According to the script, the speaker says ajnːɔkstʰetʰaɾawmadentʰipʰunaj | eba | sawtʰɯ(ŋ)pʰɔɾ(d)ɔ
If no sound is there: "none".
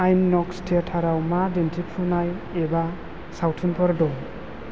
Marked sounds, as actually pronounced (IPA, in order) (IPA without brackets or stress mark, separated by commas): n, d